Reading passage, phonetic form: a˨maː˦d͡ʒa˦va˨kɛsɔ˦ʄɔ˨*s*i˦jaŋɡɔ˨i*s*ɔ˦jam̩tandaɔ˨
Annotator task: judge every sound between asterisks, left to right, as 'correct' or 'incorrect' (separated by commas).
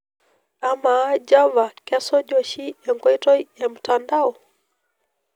incorrect, incorrect